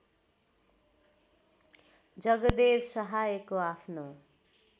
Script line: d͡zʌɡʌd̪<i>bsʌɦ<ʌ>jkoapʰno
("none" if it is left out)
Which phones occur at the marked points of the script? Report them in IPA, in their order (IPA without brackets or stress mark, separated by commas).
e, a